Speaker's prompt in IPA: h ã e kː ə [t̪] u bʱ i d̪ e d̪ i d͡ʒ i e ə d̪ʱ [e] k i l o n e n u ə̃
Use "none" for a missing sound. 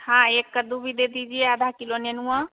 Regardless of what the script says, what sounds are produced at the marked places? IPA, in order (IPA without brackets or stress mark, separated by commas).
d̪, a